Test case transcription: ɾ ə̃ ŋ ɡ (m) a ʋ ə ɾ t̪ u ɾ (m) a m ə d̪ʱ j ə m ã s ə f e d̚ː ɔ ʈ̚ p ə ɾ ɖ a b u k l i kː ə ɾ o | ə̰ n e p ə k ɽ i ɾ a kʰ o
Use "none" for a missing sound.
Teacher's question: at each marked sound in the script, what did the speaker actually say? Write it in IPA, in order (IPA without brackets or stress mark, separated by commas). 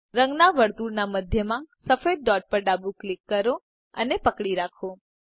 n, n